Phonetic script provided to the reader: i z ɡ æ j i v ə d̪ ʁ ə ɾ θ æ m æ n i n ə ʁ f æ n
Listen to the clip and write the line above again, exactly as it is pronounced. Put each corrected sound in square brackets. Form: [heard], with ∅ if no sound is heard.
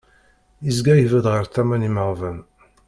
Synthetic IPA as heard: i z ɡ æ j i v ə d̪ ʁ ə ɾ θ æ m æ n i [m] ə ʁ [v] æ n